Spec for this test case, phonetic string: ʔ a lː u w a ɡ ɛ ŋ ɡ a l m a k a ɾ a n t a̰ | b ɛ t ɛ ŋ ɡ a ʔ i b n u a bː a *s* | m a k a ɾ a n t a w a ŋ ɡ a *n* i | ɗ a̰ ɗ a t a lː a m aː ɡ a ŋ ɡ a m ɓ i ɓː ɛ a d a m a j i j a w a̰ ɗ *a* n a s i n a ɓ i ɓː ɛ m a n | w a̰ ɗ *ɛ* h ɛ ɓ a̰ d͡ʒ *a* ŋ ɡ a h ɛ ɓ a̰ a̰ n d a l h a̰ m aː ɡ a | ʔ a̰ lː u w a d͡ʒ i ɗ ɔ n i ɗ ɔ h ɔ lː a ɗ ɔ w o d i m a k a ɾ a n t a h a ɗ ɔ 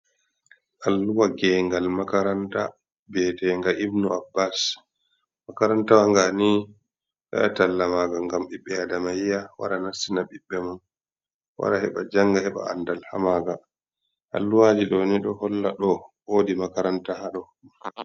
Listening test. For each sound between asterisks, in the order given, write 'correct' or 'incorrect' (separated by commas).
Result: correct, correct, correct, incorrect, correct